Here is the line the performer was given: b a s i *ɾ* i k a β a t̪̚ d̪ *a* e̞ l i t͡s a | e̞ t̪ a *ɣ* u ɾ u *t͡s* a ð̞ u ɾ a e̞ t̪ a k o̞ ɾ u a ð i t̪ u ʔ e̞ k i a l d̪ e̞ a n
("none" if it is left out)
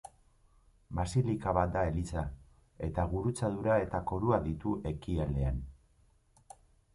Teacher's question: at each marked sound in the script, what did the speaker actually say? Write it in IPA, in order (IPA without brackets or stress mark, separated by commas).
l, a, ɣ, t͡s